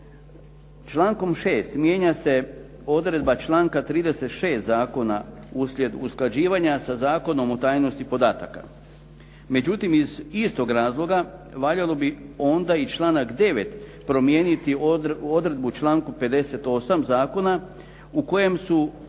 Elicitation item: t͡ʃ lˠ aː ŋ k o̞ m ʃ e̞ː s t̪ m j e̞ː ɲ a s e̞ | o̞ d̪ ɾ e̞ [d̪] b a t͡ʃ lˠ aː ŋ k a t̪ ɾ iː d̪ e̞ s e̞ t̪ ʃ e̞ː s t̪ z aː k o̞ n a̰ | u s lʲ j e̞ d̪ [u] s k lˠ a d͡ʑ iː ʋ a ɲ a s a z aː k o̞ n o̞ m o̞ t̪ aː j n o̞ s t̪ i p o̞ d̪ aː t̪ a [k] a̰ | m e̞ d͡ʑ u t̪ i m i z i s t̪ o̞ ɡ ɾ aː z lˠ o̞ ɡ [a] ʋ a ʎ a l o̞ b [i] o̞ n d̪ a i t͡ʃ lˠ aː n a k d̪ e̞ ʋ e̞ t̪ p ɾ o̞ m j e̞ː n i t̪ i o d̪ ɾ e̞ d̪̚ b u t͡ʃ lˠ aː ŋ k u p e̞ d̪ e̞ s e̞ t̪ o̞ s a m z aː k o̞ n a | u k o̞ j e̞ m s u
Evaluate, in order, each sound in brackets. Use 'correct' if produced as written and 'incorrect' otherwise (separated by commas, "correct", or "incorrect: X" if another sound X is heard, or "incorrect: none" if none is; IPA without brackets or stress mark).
correct, correct, correct, correct, correct